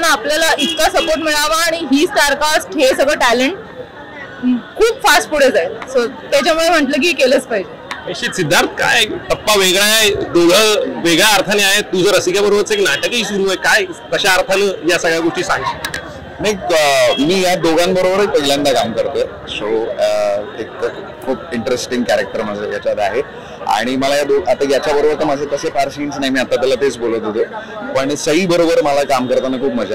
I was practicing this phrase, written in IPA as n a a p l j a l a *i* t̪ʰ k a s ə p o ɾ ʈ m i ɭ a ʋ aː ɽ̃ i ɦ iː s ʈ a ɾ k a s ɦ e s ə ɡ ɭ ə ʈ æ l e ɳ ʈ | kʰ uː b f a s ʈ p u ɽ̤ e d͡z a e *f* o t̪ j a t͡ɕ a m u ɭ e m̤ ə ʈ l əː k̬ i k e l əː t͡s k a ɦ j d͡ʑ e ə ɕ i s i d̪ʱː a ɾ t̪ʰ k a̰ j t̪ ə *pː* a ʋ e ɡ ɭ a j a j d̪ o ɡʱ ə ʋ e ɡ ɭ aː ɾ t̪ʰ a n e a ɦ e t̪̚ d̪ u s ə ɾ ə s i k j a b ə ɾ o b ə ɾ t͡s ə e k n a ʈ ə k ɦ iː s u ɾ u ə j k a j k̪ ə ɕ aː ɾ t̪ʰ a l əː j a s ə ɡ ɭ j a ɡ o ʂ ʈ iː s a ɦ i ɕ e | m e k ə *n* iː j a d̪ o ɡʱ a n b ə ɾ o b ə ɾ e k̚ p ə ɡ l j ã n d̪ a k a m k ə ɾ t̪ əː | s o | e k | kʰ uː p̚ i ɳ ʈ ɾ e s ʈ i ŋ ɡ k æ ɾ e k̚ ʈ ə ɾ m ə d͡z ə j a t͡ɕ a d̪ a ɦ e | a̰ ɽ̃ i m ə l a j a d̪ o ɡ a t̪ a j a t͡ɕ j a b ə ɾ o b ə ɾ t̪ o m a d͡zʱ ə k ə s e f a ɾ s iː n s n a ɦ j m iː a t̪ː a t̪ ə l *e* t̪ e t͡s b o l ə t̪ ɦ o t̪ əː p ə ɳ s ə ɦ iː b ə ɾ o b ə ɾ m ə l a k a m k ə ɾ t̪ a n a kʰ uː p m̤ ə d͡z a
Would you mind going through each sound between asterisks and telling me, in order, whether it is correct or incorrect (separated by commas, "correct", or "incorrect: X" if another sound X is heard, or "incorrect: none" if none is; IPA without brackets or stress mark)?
correct, incorrect: s, correct, incorrect: m, incorrect: a